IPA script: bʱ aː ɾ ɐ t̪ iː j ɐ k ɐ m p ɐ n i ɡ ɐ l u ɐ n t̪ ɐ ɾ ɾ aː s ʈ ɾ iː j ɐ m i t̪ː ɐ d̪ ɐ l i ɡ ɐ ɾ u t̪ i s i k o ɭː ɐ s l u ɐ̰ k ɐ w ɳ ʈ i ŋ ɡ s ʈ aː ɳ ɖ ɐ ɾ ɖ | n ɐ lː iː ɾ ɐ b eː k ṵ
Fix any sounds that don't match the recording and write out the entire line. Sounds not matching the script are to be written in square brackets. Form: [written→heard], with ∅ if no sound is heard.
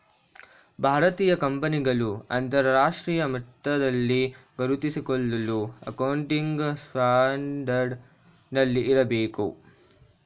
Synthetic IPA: bʱ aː ɾ ɐ t̪ iː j ɐ k ɐ m p ɐ n i ɡ ɐ l u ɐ n t̪ ɐ ɾ ɾ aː [s→ʂ] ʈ ɾ iː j ɐ m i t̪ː ɐ d̪ ɐ [l→lː] i ɡ ɐ ɾ u t̪ i s i k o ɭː ɐ [s→∅] l u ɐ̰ k ɐ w ɳ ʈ i ŋ ɡ s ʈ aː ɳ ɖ ɐ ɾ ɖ | n ɐ lː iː ɾ ɐ b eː k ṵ

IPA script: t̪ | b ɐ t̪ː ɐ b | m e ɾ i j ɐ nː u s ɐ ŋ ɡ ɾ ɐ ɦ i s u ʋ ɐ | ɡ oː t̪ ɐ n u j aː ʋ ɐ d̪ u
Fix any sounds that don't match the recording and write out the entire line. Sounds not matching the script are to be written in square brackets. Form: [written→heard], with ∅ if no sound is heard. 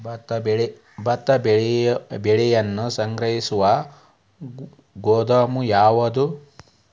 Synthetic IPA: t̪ | b ɐ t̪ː ɐ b | [m→b] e [ɾ→ɭ] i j ɐ nː u s ɐ ŋ ɡ ɾ ɐ ɦ i s u ʋ ɐ | ɡ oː [t̪→d̪] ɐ [n→m] u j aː ʋ ɐ d̪ u

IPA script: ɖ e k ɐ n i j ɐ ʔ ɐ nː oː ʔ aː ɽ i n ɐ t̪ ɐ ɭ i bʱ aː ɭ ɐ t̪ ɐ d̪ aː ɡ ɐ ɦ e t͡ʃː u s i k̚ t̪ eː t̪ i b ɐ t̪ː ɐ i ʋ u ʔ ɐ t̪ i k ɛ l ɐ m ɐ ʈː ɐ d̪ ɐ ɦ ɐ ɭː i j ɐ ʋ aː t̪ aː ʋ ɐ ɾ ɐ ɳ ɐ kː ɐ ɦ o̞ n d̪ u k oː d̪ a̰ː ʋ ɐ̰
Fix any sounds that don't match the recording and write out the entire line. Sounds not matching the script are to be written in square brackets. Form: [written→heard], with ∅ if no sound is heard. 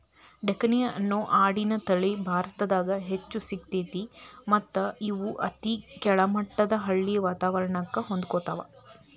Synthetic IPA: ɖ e k ɐ n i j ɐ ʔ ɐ nː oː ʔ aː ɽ i n ɐ t̪ ɐ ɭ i bʱ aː [ɭ→ɾ] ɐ t̪ ɐ d̪ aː ɡ ɐ ɦ e t͡ʃː u s i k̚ t̪ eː t̪ i [b→m] ɐ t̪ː ɐ i ʋ u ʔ ɐ t̪ i k ɛ [l→ɭ] ɐ m ɐ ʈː ɐ d̪ ɐ ɦ ɐ ɭː i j ɐ ʋ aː t̪ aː ʋ ɐ ɾ ɐ ɳ ɐ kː ɐ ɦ o̞ n d̪ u k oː [d̪→t̪] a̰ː ʋ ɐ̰

